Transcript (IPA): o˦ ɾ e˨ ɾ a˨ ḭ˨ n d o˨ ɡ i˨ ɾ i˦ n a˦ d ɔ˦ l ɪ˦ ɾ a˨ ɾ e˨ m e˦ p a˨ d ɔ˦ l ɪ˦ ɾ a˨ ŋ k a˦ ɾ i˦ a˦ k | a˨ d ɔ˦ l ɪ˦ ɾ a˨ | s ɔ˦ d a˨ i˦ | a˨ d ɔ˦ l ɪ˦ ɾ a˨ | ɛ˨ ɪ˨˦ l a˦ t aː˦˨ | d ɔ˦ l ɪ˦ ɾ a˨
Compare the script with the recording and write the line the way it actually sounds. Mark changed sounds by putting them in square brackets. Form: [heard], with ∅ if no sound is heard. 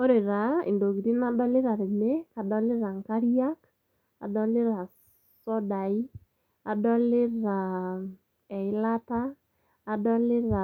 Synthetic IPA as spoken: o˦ ɾ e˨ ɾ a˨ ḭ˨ n d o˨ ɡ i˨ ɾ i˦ n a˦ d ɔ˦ l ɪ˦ ɾ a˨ ɾ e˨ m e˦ [k] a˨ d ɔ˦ l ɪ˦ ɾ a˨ ŋ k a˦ ɾ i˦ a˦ k | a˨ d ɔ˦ l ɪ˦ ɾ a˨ | s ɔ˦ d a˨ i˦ | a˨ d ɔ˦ l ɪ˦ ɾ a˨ | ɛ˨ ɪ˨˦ l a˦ t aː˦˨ | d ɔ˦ l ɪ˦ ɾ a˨